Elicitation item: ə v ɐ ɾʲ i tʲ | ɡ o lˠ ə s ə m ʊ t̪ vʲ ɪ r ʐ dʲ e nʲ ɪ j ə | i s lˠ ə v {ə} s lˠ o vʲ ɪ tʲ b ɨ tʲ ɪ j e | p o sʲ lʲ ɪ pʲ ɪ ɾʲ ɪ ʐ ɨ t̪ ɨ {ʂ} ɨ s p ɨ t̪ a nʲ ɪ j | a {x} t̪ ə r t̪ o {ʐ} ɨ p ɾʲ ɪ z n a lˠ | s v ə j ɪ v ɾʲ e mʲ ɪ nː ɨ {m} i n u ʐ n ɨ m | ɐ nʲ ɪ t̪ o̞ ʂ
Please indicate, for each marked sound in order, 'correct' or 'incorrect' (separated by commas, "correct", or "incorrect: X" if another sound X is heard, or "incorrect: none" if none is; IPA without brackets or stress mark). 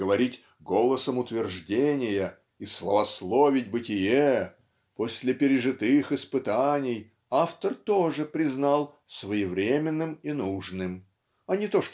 incorrect: ɐ, incorrect: x, incorrect: f, correct, correct